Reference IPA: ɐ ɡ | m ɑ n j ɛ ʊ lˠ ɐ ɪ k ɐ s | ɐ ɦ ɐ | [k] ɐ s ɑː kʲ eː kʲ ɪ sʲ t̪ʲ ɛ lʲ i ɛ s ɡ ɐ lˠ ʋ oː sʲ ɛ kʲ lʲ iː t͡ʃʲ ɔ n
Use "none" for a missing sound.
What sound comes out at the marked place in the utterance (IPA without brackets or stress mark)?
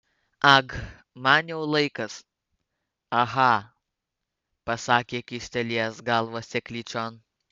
p